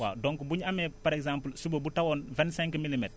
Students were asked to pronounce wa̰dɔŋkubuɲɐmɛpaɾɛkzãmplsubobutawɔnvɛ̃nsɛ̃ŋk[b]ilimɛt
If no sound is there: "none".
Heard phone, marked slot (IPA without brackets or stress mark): m